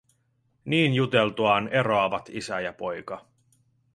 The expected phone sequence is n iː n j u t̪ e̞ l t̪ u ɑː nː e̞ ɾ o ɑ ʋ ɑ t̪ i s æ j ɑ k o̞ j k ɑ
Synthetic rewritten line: n iː n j u t̪ e̞ l t̪ u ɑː n e̞ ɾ o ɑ ʋ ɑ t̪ i s æ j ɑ p o̞ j k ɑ